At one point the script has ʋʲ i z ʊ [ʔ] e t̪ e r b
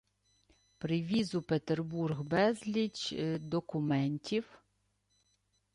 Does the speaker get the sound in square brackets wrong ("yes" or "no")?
yes